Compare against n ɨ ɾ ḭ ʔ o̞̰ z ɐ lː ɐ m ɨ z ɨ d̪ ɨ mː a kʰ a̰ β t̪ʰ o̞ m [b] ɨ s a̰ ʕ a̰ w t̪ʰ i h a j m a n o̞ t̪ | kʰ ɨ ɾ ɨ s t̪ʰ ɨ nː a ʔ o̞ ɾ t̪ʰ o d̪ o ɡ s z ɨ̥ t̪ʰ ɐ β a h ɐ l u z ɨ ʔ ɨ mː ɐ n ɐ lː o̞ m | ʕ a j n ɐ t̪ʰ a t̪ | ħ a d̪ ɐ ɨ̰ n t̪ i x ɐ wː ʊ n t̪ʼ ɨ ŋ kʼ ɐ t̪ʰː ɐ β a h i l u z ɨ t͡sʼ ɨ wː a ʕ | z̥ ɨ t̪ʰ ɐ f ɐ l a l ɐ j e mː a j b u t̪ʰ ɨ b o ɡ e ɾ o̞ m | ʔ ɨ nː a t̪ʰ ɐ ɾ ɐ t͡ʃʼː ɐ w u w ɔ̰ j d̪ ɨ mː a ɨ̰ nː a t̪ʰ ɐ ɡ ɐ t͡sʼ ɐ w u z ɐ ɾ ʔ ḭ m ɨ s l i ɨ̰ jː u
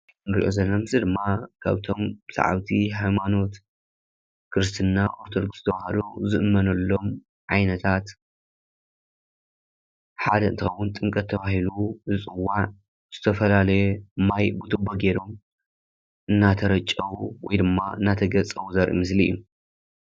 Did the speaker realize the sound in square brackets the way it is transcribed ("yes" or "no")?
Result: yes